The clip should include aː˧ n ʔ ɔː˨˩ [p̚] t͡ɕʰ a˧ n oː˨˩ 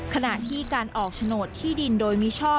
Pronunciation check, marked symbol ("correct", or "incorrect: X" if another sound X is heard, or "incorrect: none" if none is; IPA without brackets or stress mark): incorrect: k̚